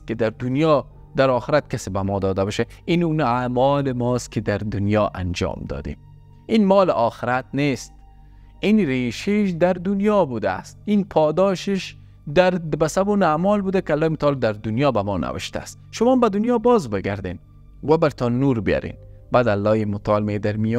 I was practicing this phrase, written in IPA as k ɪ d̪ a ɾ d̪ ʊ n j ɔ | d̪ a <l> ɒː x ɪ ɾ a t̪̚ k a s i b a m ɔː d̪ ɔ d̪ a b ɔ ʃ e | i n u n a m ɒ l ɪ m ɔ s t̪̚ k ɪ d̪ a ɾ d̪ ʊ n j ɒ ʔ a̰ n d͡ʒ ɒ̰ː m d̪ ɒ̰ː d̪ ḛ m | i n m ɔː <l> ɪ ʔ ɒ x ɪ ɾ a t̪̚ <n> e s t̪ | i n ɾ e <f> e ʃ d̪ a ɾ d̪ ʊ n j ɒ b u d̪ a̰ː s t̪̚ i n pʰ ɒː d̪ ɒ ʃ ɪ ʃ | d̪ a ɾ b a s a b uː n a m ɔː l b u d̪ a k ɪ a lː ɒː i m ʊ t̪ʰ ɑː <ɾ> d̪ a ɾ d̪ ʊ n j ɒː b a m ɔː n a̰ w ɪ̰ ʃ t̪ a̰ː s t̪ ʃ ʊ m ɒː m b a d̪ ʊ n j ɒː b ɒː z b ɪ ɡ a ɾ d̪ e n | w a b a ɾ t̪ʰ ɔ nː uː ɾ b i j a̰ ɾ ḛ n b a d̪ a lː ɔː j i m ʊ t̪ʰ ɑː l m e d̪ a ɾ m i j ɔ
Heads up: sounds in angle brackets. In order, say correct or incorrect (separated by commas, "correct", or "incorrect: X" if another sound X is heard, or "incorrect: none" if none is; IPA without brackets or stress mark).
incorrect: ɾ, correct, correct, incorrect: ʃ, incorrect: l